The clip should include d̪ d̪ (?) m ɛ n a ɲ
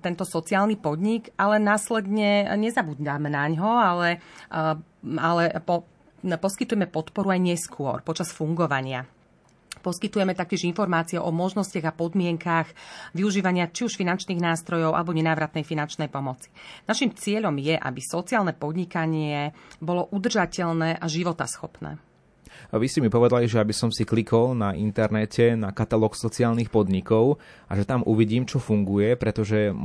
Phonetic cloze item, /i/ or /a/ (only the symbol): a